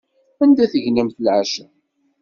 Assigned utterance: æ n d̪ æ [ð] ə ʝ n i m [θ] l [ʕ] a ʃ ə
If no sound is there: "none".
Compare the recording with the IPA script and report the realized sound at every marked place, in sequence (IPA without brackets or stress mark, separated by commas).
θ, θ, ʕ